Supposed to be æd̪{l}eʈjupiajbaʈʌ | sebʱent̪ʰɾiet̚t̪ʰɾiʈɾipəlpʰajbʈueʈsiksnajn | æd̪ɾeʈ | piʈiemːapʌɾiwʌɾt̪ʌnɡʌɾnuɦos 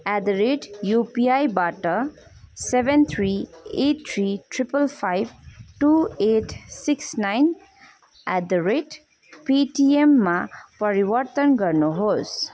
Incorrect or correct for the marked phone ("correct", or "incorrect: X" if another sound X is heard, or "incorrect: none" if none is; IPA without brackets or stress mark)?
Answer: incorrect: ɾ